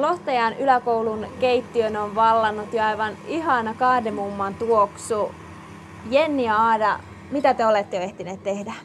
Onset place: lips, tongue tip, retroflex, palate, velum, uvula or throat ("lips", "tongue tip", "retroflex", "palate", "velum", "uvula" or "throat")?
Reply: tongue tip